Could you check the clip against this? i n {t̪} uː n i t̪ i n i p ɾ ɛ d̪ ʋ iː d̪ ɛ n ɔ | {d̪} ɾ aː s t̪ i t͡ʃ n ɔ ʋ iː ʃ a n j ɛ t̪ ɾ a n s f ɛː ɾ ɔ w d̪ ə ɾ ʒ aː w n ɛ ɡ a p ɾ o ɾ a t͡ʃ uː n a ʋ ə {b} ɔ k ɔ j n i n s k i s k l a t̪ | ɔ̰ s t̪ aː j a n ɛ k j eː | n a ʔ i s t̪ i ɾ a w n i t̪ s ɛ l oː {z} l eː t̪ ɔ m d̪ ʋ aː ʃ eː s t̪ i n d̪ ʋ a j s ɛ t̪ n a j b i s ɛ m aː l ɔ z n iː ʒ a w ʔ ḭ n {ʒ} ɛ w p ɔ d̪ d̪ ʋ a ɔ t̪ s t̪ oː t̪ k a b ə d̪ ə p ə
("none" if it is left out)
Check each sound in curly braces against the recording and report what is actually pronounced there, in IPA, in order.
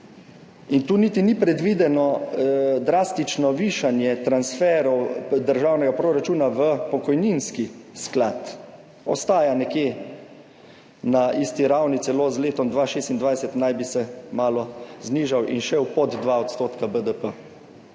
t̪, d̪, p, z, ʃ

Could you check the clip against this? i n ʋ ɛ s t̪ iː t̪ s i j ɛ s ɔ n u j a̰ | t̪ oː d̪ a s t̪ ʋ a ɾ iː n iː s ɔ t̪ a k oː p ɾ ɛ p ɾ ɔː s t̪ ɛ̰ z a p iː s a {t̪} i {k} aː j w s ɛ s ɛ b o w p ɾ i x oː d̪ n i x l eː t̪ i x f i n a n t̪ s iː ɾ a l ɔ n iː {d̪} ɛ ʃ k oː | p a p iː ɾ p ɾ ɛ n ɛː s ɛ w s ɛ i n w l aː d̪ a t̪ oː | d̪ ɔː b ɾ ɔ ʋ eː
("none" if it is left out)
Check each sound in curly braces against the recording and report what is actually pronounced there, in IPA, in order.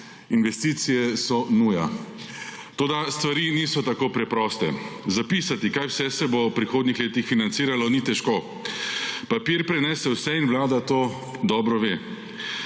t̪, k, t̪

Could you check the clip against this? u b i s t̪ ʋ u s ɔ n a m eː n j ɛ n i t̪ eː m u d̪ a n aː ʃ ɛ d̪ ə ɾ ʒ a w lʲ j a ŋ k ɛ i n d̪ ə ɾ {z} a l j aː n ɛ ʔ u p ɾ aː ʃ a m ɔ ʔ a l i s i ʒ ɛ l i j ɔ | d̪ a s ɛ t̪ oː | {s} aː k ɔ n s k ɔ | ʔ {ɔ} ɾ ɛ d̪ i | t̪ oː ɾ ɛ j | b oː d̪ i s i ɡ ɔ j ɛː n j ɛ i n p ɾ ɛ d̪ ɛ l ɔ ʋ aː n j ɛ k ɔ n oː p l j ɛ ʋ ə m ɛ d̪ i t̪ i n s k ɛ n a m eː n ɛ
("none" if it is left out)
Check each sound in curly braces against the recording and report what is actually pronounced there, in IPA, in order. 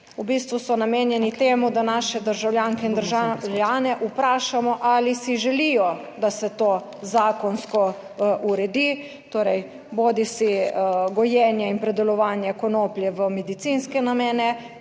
ʒ, z, u

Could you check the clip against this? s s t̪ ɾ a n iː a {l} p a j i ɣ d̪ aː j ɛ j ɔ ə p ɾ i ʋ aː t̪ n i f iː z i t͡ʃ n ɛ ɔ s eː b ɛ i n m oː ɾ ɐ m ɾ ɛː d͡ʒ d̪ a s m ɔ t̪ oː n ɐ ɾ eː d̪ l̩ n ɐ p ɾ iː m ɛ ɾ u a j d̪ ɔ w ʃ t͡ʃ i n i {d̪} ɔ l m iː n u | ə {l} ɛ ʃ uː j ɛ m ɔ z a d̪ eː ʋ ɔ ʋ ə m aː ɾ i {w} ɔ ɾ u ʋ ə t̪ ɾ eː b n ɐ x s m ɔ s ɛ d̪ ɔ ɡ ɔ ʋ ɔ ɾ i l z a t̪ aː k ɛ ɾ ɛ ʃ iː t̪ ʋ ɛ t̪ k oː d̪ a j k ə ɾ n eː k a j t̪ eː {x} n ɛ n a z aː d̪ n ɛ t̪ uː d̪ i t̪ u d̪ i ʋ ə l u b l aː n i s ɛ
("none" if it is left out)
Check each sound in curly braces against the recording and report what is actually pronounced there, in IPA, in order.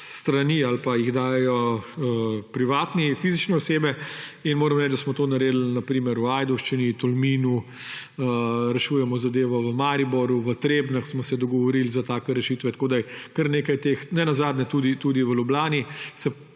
l, t̪, ɾ, b, x

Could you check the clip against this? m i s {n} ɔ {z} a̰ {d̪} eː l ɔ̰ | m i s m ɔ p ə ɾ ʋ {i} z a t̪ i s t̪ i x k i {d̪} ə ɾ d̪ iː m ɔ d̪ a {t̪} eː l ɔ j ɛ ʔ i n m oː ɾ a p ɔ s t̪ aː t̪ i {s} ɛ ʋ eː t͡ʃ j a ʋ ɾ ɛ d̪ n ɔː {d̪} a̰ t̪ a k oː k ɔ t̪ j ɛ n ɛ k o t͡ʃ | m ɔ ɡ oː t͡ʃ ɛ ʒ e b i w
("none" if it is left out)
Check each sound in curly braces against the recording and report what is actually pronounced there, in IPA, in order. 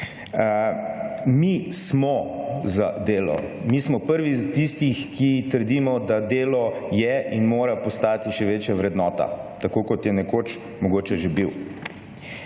m, z, d̪, i, t̪, d̪, ʃ, t̪

